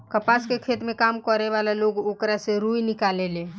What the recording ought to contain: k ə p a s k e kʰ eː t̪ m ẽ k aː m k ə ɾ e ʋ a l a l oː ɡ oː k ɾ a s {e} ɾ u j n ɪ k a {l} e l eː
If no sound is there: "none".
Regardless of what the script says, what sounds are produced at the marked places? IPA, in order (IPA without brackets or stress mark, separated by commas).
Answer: e, l